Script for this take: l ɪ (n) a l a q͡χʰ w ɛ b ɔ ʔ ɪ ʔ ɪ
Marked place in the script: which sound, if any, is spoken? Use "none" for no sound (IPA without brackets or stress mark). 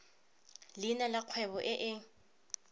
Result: n